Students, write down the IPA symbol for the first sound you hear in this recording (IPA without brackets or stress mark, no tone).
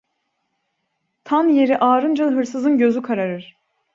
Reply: t̪ʰ